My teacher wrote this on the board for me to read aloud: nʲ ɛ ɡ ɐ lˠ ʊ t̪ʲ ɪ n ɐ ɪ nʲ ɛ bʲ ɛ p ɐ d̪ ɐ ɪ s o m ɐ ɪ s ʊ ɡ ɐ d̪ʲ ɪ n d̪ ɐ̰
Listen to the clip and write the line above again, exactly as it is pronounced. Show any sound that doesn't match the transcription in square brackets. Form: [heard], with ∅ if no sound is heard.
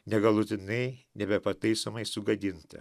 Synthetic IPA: nʲ ɛ ɡ ɐ lˠ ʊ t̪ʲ ɪ n ɐ ɪ nʲ ɛ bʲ ɛ p ɐ [t̪] ɐ ɪ s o m ɐ ɪ s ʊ ɡ ɐ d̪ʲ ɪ n [t̪] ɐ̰